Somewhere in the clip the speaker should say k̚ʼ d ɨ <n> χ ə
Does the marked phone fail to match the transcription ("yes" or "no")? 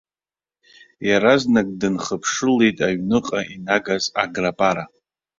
no